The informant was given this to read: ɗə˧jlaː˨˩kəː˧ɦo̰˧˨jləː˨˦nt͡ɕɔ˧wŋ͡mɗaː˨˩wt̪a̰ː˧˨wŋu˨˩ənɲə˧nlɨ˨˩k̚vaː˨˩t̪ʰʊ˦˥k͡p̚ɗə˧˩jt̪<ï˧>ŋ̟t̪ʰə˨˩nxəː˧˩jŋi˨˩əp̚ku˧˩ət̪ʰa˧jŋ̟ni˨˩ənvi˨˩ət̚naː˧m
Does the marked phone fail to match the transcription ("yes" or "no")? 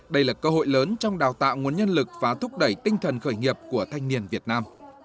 no